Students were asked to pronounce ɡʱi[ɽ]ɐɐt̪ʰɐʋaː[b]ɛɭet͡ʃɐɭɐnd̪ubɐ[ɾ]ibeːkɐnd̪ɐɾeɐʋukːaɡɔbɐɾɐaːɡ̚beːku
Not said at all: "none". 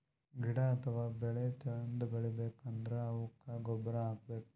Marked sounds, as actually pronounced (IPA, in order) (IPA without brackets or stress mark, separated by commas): ɽ, b, ɭ